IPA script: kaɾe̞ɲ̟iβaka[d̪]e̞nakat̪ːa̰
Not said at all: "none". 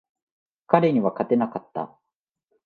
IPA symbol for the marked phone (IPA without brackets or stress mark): t̪